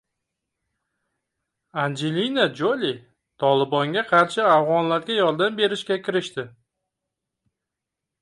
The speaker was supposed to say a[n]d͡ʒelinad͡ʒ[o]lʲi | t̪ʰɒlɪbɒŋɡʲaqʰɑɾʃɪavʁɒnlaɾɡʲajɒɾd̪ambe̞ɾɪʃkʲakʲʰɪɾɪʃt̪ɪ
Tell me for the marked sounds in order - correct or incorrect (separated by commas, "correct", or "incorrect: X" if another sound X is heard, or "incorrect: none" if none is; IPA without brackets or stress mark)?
correct, correct